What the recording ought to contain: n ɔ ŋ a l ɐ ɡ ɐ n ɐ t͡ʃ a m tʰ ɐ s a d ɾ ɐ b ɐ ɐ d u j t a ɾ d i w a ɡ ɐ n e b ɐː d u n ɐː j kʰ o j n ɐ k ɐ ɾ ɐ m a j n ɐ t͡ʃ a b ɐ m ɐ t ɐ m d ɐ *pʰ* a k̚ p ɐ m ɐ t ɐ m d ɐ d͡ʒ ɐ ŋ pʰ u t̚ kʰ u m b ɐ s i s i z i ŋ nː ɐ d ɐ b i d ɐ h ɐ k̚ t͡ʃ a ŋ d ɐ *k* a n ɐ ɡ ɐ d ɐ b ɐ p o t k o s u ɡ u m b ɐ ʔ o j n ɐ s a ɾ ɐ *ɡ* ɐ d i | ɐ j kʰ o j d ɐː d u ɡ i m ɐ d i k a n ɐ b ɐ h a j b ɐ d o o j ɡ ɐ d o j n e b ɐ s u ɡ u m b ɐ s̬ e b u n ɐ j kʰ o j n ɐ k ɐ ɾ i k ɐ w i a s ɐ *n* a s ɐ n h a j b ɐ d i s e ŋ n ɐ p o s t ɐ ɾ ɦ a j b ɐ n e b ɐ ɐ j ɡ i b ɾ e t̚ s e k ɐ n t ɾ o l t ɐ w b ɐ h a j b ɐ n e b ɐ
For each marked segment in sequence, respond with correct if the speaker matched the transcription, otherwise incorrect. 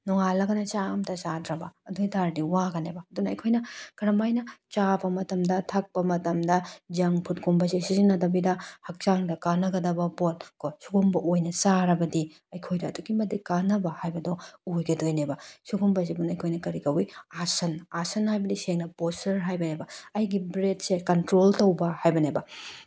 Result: incorrect, correct, incorrect, correct

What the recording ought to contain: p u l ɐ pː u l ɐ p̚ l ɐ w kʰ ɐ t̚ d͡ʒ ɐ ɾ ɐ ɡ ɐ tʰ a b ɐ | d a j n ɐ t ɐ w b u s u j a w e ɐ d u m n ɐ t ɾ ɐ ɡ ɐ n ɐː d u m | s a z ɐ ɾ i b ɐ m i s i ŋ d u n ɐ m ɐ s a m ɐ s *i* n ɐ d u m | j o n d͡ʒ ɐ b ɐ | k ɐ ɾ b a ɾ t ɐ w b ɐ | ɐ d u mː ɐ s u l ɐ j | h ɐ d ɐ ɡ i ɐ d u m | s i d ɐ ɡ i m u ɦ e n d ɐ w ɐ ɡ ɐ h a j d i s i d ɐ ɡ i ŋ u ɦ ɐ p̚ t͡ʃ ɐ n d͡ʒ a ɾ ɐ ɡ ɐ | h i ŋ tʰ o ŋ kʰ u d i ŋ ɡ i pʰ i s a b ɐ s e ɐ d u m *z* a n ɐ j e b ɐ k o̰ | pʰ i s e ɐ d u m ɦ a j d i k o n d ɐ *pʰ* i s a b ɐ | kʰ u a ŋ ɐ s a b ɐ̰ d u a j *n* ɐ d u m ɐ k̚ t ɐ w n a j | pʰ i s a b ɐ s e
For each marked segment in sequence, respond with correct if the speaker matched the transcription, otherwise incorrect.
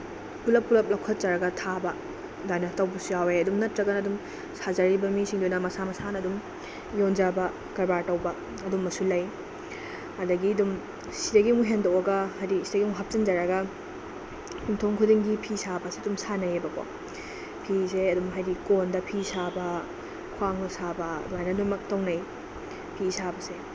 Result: incorrect, incorrect, correct, correct

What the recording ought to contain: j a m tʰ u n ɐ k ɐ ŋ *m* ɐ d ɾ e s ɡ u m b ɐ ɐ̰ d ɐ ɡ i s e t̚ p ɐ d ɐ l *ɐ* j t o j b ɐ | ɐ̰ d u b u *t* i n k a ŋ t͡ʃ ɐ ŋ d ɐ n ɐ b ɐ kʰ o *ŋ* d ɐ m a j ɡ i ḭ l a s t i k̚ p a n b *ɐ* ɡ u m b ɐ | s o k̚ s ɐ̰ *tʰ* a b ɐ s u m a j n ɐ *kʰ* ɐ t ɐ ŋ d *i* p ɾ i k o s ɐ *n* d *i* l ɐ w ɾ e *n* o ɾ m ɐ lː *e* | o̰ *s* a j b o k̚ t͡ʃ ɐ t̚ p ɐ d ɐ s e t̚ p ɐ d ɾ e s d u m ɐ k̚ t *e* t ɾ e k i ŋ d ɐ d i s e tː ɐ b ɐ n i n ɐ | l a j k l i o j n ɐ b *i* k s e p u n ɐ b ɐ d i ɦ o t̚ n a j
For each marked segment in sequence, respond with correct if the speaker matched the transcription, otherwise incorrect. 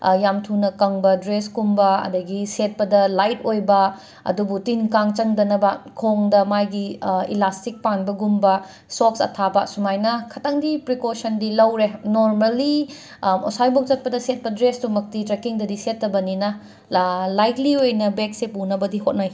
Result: incorrect, incorrect, correct, correct, correct, correct, correct, correct, correct, correct, correct, incorrect, correct, incorrect, incorrect

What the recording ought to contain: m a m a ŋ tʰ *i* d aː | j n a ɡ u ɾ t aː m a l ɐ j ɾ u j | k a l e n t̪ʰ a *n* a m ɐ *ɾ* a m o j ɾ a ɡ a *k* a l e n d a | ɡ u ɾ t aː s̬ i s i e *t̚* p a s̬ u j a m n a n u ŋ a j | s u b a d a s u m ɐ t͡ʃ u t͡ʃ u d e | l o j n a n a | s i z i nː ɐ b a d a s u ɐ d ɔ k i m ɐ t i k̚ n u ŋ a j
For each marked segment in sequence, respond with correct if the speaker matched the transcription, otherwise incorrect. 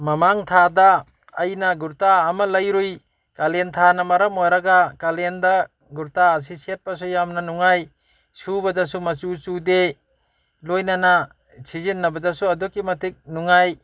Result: incorrect, correct, correct, correct, correct

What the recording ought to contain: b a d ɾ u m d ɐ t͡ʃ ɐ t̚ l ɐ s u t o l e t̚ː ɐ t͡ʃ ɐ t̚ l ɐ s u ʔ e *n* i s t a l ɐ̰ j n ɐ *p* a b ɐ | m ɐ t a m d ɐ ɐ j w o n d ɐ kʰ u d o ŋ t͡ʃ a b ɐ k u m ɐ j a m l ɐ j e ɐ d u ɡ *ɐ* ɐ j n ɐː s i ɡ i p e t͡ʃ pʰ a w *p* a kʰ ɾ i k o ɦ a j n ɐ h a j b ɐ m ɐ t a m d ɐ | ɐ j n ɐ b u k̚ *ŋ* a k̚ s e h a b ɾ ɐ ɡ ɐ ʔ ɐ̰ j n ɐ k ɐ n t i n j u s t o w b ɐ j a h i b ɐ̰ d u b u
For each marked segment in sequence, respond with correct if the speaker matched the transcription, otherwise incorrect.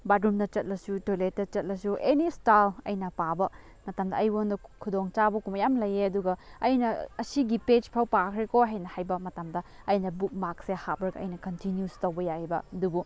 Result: correct, correct, correct, correct, incorrect

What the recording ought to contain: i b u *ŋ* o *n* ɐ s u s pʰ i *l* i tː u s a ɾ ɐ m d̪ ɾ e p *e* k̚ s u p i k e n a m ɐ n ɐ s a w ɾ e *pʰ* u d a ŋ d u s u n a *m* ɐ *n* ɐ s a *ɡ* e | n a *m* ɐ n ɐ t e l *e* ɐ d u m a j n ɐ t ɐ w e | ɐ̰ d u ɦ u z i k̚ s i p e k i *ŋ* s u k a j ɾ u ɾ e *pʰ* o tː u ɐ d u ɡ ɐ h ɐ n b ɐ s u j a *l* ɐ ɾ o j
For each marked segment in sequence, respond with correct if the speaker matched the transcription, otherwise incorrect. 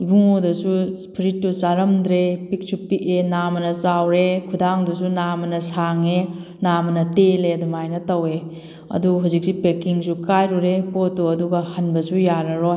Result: correct, incorrect, incorrect, incorrect, incorrect, correct, correct, incorrect, correct, correct, correct, incorrect, incorrect

